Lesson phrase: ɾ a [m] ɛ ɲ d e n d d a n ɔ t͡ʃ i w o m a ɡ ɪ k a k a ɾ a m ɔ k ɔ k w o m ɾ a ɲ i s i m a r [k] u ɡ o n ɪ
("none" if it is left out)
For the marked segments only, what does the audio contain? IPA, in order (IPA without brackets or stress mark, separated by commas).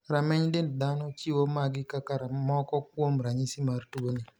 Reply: m, t